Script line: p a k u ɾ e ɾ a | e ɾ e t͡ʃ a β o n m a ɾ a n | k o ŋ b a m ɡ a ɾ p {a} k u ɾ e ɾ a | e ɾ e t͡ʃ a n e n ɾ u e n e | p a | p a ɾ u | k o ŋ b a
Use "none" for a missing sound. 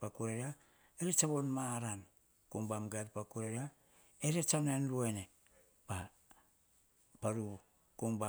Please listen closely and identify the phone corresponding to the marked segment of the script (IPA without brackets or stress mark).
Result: a